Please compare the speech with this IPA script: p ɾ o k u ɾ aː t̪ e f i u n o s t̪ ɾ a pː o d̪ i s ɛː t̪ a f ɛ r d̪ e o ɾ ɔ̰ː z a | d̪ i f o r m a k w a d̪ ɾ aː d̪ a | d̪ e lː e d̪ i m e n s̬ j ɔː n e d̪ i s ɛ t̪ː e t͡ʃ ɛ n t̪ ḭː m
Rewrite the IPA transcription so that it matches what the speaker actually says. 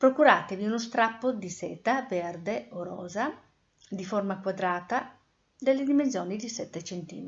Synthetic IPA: p ɾ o k u ɾ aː t̪ e v i u n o s t̪ ɾ a pː o d̪ i s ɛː t̪ a v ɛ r d̪ e o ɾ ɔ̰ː z a | d̪ i f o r m a k w a d̪ ɾ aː t̪ a | d̪ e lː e d̪ i m e n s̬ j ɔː n i d̪ i s ɛ t̪ː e t͡ʃ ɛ n t̪ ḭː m